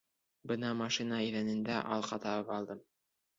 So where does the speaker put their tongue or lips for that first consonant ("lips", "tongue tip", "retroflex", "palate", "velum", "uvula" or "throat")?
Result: lips